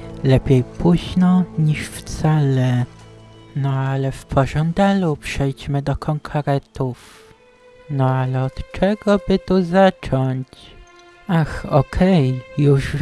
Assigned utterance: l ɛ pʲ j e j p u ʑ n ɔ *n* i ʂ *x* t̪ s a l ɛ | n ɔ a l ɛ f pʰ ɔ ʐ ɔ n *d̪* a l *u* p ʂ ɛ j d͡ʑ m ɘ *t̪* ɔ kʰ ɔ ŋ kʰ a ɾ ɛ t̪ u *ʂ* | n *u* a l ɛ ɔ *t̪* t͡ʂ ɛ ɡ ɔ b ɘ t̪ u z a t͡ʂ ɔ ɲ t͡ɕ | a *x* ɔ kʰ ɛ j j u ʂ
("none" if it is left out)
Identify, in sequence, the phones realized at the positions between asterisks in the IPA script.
ɲ, f, d̪, u, d̪, f, ɔ, t̪, x

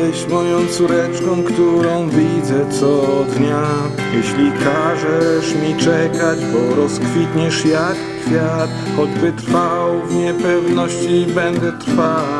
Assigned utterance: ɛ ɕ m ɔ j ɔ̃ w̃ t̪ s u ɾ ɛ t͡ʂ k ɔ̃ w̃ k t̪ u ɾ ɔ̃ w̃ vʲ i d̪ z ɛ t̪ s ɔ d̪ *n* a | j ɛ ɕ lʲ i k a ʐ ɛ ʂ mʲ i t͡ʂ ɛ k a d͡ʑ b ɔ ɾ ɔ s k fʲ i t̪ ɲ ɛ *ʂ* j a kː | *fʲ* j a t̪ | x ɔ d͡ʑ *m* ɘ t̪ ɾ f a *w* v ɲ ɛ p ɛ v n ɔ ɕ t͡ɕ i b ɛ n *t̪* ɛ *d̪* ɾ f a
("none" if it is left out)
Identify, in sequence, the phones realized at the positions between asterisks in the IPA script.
ɲ, ʂ, fʲ, b, w, d̪, t̪

